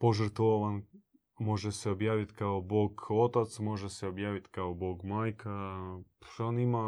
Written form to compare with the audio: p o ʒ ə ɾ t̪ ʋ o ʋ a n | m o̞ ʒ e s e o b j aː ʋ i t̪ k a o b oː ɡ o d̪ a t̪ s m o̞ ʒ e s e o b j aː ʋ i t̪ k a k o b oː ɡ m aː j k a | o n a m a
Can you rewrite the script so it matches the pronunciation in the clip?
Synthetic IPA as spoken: p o ʒ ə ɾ t̪ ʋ o ʋ a n | m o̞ ʒ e s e o b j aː ʋ i t̪ k a o b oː ɡ o t̪ a t̪ s m o̞ ʒ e s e o b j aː ʋ i t̪ k a o b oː ɡ m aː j k a | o n i m a